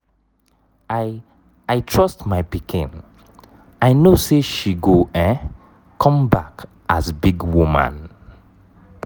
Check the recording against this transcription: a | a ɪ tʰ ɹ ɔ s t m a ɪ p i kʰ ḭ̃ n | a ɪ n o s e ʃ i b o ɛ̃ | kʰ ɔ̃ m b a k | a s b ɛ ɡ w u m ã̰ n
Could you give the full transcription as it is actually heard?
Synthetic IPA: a | a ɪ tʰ ɹ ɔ s t m a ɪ p i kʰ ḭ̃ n | a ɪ n o s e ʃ i ɡ o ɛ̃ | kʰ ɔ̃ m b a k | a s b i ɡ w u m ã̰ n